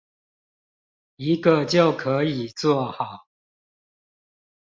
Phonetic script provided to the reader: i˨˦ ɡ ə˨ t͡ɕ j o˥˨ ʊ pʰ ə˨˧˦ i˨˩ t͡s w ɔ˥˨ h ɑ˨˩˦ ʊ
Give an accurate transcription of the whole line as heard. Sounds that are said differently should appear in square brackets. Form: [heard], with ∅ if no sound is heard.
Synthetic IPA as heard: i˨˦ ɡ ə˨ t͡ɕ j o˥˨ ʊ [kʰ] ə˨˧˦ i˨˩ t͡s w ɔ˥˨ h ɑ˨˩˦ ʊ